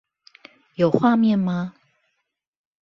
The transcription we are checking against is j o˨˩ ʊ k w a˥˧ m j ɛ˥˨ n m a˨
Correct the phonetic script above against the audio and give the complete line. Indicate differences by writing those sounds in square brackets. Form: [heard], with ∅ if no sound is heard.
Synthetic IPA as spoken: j o˨˩ ʊ [x] w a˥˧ m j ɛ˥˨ n m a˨